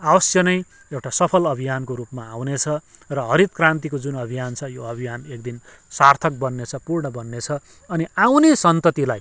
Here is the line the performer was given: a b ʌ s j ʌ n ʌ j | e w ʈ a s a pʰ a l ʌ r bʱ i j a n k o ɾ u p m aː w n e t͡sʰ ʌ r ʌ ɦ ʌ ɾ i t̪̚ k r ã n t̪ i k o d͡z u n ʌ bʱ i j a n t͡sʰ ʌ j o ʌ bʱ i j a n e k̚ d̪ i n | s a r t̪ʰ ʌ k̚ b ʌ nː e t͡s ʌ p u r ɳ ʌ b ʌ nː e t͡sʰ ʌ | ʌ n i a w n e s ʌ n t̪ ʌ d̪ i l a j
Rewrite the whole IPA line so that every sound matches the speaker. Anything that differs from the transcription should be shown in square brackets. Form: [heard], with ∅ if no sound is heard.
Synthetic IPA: a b ʌ s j ʌ n ʌ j | e w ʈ a s [ʌ] pʰ [ʌ] l ʌ [∅] bʱ i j a n k o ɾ u p m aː w n e t͡sʰ ʌ r ʌ ɦ ʌ ɾ i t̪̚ k r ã n t̪ i k o d͡z u n ʌ bʱ i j a n t͡sʰ ʌ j o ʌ bʱ i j a n e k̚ d̪ i n | s a r t̪ʰ ʌ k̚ b ʌ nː e [t͡sʰ] ʌ p u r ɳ ʌ b ʌ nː e t͡sʰ ʌ | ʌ n i a w n e s ʌ n t̪ ʌ [t̪] i l a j